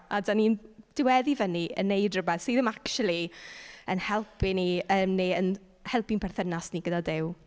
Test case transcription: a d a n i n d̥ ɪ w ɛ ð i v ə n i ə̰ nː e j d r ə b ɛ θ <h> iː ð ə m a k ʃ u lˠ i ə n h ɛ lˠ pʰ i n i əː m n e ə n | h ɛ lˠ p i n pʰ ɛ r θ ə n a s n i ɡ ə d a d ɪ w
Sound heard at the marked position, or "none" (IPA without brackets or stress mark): s